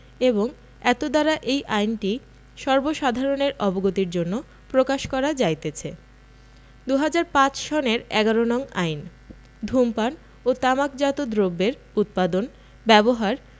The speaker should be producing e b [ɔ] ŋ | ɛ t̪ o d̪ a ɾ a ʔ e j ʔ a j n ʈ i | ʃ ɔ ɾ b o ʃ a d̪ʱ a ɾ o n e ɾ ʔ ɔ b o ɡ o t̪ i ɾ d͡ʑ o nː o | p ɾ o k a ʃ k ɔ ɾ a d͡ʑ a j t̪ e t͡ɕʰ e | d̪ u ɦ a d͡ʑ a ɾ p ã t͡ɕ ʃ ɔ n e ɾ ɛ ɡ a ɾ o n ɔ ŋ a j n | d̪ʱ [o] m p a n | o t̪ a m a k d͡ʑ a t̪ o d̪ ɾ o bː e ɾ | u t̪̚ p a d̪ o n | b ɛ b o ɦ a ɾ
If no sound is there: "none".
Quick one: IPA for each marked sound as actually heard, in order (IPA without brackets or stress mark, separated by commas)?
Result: o, u